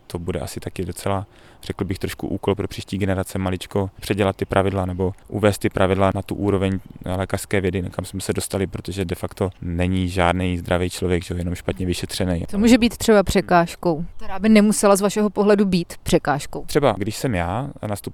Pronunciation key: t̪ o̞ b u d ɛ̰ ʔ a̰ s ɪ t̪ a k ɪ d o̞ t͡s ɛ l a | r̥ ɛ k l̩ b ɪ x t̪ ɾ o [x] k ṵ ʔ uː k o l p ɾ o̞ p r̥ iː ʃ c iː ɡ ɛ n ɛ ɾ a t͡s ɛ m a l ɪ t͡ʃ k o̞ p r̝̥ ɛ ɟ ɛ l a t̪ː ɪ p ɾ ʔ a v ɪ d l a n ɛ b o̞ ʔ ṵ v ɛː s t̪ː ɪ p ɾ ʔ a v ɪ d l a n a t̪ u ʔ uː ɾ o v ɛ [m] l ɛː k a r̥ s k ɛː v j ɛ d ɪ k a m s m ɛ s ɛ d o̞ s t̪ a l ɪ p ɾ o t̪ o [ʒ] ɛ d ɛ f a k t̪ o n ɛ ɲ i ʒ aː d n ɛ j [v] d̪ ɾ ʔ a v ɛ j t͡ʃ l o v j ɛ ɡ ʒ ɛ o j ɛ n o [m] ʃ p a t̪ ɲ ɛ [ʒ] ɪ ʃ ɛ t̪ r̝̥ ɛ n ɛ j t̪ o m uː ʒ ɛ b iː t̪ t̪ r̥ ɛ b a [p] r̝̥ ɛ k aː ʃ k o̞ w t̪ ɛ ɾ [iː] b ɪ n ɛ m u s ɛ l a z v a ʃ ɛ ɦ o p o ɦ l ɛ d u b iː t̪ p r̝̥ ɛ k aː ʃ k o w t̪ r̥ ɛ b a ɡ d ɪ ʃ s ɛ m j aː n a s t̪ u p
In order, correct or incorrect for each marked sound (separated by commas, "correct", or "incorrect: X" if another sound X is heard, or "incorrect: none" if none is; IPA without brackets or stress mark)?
incorrect: ʃ, incorrect: ɲ, correct, incorrect: z, correct, incorrect: v, correct, incorrect: aː